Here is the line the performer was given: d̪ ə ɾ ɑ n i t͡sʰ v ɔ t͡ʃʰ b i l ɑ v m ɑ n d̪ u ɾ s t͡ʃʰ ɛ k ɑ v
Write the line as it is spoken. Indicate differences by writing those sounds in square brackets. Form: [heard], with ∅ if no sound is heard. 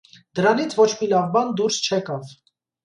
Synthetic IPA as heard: d̪ ə ɾ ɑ n i t͡sʰ v ɔ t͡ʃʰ [m] i l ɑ v [b] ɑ n d̪ u ɾ s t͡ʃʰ ɛ k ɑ v